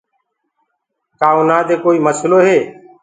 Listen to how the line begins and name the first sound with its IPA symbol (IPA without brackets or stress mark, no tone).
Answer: k